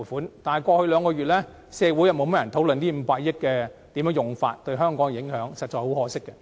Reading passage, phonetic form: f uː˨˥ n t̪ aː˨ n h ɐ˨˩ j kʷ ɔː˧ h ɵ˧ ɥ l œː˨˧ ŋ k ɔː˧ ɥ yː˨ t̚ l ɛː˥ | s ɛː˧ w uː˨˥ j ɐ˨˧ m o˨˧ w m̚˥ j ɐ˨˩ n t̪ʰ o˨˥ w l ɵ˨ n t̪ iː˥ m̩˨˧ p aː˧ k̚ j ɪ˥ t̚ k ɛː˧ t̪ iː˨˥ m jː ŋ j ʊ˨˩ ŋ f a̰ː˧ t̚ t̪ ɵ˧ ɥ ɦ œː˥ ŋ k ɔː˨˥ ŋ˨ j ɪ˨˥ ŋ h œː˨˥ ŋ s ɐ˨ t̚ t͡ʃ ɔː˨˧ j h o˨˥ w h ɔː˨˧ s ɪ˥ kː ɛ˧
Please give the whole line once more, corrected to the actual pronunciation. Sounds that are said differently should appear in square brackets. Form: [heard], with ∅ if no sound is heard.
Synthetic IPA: f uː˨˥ n t̪ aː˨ n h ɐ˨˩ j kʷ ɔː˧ h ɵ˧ ɥ l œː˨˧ ŋ k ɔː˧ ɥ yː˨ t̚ l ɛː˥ | s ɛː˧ w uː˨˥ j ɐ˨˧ m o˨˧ w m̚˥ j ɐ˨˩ n t̪ʰ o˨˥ w l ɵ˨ n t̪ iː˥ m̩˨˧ p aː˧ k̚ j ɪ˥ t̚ k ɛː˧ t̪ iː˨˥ m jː ŋ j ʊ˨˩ ŋ f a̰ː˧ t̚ t̪ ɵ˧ ɥ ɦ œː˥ ŋ k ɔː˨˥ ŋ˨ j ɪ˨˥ ŋ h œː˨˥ ŋ s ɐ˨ t̚ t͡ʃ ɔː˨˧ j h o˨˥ w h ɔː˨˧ s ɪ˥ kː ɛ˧